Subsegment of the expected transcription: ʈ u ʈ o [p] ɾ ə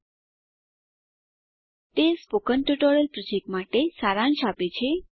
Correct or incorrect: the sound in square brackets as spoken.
incorrect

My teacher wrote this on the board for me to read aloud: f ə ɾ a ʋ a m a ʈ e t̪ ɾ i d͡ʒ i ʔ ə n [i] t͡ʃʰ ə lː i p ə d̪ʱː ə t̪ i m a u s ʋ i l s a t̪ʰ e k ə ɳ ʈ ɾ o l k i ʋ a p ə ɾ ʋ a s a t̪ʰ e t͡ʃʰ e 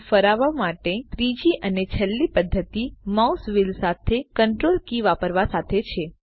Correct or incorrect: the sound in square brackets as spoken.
incorrect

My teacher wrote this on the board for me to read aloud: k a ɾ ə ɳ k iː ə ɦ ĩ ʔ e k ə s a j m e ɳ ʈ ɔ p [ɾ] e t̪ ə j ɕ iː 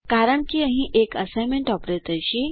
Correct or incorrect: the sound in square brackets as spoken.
correct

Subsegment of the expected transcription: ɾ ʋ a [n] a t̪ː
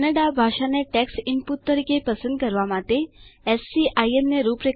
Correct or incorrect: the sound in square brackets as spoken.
incorrect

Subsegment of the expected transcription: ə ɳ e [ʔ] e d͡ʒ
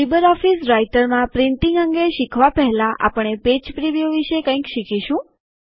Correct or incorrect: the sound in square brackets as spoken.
incorrect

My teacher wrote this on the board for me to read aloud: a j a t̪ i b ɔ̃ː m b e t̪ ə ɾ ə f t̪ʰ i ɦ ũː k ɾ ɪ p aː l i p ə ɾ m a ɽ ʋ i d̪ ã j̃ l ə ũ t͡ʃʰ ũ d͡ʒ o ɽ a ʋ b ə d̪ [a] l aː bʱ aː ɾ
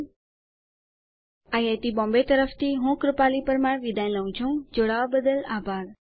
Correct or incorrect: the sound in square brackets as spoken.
incorrect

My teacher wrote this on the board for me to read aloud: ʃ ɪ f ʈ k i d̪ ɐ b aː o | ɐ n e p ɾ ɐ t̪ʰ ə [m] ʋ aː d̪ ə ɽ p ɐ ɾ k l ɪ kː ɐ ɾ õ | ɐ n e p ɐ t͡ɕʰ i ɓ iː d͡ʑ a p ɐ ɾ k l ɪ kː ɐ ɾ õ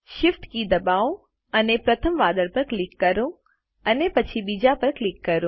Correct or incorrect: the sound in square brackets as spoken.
correct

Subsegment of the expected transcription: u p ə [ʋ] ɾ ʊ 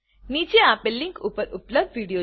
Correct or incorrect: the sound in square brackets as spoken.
incorrect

